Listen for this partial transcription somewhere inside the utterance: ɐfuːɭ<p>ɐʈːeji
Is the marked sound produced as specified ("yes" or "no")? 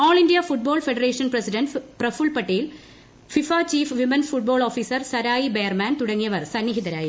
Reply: yes